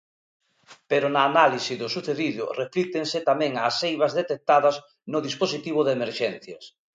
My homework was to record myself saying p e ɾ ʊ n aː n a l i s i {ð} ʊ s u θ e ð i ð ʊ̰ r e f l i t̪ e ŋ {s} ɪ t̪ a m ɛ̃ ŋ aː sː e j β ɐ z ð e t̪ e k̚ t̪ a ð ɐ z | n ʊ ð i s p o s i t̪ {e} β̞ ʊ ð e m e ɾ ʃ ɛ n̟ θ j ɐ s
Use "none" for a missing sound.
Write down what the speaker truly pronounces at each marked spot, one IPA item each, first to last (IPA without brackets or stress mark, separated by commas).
ð, s, i